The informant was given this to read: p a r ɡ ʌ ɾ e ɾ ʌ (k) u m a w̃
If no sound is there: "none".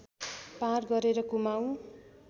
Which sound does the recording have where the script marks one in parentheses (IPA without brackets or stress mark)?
k